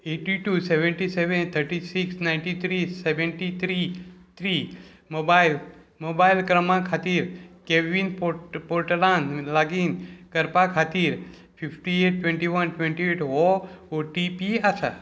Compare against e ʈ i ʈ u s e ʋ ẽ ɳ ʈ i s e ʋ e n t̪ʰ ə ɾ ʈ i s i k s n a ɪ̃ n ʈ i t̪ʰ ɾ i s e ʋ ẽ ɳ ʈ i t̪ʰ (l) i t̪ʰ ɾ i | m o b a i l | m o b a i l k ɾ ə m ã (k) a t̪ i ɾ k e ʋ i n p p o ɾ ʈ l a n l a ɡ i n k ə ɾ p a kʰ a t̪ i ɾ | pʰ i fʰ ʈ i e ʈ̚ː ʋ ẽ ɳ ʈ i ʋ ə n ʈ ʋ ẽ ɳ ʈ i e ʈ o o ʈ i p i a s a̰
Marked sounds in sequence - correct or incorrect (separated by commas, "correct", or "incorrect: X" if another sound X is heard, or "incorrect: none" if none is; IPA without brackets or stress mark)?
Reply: incorrect: ɾ, incorrect: kʰ